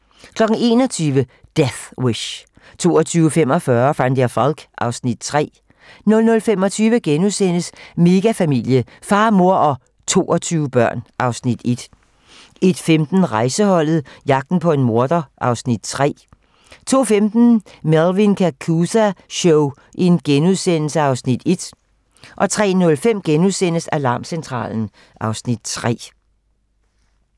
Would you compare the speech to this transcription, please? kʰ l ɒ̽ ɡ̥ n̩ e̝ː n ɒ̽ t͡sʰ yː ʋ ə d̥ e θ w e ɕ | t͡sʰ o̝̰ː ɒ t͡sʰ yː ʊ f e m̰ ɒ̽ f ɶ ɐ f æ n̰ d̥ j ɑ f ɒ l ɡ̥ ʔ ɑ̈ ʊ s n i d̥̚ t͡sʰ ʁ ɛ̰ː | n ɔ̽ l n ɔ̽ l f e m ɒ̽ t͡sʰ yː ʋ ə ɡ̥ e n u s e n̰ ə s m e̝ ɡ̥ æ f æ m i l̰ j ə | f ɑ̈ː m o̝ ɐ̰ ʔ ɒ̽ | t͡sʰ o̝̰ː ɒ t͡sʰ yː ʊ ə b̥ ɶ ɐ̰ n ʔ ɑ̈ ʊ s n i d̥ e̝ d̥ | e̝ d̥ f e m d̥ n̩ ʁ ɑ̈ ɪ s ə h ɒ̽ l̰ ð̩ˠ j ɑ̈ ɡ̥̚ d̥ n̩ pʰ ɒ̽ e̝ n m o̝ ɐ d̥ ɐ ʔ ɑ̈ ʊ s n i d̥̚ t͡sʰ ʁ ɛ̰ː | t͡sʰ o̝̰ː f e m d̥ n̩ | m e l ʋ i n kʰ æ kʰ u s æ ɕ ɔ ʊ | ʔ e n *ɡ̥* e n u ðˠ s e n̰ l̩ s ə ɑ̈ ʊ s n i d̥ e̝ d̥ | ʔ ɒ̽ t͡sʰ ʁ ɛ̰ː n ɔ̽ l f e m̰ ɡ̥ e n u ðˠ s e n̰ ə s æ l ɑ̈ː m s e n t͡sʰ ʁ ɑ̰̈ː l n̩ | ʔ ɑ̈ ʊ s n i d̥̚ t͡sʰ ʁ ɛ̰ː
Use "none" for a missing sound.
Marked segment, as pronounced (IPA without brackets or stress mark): ɡ̥